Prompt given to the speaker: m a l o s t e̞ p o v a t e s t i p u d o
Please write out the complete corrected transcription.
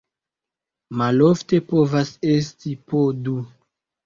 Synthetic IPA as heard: m a l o f t e̞ p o v a s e s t i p o d u